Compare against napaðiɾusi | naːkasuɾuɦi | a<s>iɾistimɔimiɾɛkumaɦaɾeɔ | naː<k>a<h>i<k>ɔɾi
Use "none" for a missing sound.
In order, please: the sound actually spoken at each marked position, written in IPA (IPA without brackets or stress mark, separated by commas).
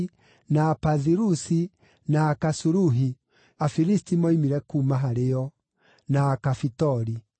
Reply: f, k, f, t